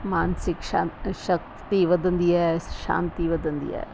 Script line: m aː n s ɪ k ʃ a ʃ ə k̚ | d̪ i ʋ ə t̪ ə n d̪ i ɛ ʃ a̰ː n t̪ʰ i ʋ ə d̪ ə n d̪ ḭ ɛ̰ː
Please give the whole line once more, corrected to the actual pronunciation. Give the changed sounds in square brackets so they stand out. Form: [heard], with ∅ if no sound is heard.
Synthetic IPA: m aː n s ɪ k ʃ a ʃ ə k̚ | [t̪] i ʋ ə [d̪] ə n d̪ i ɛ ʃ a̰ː n [t̪] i ʋ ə d̪ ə n d̪ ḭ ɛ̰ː